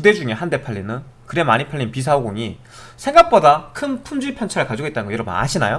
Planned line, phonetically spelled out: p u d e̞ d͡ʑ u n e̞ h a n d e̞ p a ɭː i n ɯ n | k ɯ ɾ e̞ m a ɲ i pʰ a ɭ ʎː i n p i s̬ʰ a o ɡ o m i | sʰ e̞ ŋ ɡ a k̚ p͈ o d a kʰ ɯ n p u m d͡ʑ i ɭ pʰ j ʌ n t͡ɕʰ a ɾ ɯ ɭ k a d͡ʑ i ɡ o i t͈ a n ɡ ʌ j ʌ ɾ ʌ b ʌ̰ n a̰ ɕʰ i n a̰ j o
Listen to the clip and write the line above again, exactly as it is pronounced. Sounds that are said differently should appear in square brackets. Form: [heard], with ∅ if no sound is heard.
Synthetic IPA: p u d e̞ d͡ʑ u [ŋ] e̞ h a n d e̞ [pʰ] a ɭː i n ɯ n | k ɯ ɾ e̞ m a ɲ i pʰ a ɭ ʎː i n p i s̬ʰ a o ɡ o [ŋ] i | sʰ e̞ ŋ ɡ a k̚ p͈ o d a kʰ ɯ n [pʰ] u m d͡ʑ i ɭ pʰ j ʌ n t͡ɕʰ a ɾ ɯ ɭ k a d͡ʑ i ɡ o i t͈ a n ɡ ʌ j ʌ ɾ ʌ b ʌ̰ n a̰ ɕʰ i n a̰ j o